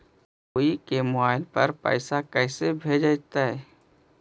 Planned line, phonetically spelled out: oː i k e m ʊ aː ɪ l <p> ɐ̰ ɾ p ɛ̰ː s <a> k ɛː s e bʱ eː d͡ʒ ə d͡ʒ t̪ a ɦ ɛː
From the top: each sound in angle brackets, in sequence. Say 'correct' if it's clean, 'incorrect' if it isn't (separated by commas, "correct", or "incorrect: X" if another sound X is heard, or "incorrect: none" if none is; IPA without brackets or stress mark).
correct, correct